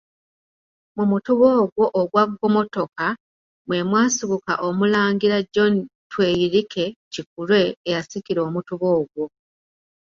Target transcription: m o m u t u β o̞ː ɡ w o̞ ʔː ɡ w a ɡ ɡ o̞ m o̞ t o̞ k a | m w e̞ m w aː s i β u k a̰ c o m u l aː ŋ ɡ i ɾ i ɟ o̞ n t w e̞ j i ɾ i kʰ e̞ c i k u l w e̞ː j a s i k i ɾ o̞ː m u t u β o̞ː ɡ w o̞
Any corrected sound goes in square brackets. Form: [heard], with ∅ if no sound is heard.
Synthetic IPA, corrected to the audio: m [u] m u t u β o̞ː ɡ w o̞ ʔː ɡ w a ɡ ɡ o̞ m o̞ t o̞ k a | m w e̞ m w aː s i β u k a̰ [ʔ] o m u l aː ŋ ɡ i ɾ [a] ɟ o̞ n t w e̞ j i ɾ i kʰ e̞ c i k u l w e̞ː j a s i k i ɾ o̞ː m u t u β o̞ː ɡ w o̞